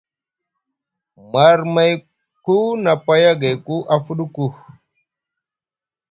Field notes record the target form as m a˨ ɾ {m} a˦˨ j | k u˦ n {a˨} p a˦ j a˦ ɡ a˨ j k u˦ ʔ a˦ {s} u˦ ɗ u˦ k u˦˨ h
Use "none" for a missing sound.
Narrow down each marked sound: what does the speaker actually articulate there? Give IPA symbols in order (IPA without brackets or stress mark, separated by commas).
m, a˨, f